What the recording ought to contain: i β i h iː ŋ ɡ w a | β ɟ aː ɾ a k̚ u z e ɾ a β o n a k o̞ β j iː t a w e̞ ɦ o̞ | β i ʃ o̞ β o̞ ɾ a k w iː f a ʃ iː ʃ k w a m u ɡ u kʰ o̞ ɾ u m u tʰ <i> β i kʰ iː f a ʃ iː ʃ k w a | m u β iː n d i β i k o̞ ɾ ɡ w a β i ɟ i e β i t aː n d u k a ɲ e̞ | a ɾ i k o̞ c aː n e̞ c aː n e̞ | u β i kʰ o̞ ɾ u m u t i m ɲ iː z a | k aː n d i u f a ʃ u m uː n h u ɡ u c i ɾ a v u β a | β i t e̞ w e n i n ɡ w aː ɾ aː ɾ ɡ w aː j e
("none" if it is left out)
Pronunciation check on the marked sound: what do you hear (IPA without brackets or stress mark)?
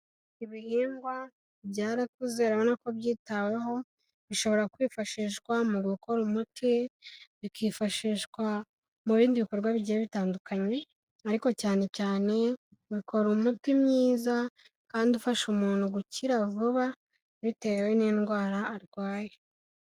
i